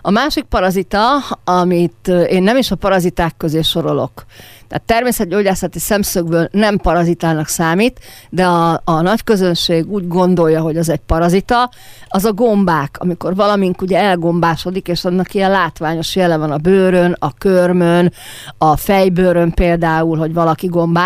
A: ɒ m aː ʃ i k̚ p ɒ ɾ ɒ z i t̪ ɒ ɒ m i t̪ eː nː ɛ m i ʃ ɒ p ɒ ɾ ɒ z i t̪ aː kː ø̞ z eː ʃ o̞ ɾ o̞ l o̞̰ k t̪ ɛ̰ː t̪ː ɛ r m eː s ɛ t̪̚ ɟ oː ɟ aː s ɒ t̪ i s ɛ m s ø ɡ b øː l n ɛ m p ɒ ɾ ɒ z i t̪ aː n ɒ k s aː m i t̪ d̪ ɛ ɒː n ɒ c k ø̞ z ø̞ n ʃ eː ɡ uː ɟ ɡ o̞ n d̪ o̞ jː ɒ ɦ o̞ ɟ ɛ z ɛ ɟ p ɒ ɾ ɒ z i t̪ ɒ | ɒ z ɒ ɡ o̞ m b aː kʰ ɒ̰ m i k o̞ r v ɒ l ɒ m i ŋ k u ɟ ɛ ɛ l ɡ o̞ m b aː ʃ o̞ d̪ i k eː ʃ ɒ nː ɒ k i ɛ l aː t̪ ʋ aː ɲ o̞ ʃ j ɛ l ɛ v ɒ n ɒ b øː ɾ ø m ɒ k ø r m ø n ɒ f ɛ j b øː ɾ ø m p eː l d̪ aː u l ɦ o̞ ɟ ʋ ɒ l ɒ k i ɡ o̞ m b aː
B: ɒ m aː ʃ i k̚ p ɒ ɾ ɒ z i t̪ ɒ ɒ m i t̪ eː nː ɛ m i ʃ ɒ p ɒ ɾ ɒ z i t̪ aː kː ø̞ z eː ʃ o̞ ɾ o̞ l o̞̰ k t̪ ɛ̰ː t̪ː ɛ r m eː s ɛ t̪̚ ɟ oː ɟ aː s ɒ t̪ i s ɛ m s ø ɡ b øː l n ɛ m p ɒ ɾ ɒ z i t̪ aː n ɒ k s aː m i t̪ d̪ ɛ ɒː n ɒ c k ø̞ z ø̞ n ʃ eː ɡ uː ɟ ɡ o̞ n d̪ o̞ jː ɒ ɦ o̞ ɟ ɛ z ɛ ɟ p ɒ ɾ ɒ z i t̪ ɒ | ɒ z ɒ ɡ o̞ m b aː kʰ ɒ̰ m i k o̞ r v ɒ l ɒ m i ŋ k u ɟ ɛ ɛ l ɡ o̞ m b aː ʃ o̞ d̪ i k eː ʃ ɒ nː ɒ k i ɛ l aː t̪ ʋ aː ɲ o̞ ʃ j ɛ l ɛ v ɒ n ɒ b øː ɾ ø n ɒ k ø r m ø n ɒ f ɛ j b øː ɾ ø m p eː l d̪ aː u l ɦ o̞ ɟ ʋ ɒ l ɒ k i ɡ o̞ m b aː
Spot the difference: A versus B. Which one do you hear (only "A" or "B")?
B